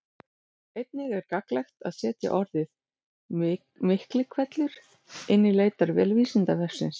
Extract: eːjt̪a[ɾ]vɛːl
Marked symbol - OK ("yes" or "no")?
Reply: yes